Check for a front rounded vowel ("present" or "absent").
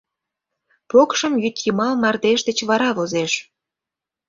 present